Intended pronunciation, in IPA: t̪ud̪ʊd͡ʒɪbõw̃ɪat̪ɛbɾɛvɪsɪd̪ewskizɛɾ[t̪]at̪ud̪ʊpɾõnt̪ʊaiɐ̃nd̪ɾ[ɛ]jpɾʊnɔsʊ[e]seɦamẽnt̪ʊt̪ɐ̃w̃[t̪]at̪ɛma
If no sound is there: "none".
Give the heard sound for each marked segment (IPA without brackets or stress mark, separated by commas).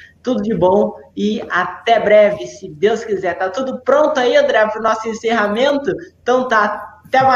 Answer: t̪, ɛ, ẽ, t̪